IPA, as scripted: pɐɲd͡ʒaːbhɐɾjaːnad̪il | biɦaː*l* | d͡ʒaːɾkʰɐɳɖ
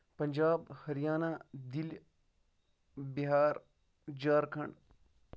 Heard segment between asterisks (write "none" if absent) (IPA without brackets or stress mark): ɾ